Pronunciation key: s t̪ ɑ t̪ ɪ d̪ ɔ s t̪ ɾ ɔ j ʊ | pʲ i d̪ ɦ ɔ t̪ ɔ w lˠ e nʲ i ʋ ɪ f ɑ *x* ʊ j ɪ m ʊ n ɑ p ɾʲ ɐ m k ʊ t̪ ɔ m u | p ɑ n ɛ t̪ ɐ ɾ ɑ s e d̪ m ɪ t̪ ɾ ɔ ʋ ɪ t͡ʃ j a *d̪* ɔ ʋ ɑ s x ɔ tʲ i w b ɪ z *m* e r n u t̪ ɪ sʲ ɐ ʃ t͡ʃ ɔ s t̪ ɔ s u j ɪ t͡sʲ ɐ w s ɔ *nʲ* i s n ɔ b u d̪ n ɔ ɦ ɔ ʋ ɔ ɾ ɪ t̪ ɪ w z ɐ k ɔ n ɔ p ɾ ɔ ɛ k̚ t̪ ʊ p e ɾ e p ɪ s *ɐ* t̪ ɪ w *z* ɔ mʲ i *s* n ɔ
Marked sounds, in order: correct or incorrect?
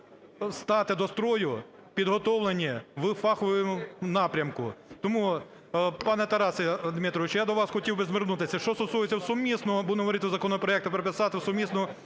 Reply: correct, correct, correct, incorrect: mʲ, incorrect: ɑ, incorrect: s, correct

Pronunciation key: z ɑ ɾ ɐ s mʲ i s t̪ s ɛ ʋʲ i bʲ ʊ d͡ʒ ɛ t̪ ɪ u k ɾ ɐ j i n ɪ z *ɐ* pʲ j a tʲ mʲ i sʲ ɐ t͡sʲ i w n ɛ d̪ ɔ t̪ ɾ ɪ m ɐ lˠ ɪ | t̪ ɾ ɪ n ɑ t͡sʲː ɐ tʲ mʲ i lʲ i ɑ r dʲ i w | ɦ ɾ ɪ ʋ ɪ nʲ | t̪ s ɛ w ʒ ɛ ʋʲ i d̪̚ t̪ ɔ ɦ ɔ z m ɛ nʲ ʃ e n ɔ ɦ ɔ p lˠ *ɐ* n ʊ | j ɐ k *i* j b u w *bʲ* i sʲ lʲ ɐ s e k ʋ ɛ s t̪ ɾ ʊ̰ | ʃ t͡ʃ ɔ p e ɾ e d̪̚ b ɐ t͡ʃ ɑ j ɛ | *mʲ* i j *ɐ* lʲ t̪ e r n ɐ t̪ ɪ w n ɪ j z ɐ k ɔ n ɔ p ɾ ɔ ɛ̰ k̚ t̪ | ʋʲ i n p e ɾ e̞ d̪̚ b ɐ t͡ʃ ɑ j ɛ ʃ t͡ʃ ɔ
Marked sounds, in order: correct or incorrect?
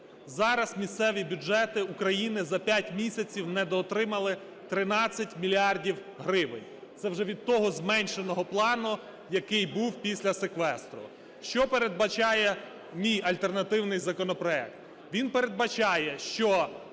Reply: correct, incorrect: ɑ, incorrect: ɪ, incorrect: pʲ, correct, correct

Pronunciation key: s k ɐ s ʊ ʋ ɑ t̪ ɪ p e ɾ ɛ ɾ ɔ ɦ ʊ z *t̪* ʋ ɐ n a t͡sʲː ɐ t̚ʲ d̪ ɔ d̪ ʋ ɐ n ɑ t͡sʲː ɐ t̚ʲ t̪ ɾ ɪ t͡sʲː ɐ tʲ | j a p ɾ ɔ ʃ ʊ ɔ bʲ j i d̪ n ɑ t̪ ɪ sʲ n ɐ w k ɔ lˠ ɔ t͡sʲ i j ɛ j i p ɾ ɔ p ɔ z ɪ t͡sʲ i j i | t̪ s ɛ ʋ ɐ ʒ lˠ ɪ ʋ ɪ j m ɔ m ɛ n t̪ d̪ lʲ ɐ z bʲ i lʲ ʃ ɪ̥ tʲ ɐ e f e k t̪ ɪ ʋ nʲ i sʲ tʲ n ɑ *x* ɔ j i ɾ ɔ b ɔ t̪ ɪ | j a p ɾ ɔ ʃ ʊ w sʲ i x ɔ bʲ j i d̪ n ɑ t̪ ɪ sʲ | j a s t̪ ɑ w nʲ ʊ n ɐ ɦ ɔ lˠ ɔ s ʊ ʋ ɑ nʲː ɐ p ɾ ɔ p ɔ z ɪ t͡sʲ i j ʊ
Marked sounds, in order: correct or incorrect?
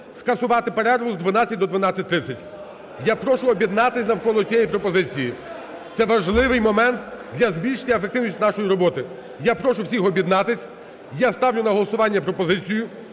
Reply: incorrect: d̪, incorrect: ʃ

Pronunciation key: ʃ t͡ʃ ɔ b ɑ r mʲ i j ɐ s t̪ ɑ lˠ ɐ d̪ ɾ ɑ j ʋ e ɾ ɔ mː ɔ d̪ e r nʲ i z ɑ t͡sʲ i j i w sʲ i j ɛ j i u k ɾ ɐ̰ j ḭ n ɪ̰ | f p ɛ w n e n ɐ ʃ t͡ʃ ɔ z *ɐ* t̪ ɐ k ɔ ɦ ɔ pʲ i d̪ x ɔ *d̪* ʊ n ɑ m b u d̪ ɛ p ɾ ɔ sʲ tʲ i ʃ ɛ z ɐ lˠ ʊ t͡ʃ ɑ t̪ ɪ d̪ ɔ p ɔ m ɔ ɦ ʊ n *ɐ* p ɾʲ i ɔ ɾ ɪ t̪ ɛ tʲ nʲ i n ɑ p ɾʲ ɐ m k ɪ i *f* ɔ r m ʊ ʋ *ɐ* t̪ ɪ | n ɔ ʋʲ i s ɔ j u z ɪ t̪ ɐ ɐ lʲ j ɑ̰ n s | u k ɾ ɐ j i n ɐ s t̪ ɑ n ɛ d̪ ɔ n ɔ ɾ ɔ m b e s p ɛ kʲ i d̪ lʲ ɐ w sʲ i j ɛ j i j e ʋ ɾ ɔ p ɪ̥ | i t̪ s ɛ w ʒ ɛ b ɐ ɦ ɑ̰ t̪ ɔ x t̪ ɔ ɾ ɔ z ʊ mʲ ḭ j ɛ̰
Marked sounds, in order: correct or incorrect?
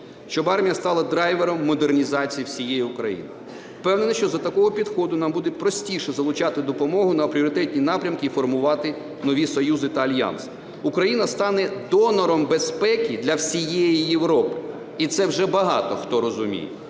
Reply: correct, correct, correct, correct, incorrect: ɑ

